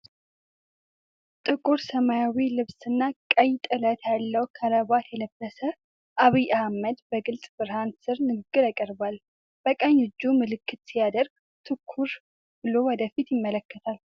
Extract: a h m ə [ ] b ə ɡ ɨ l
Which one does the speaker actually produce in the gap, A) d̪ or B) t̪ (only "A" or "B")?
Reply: A